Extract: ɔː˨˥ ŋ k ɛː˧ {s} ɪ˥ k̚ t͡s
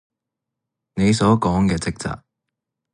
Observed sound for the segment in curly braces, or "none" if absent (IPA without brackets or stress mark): t͡s